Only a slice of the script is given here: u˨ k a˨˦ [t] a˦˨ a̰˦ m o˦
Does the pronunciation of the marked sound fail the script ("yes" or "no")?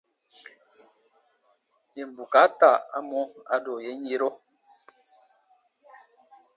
no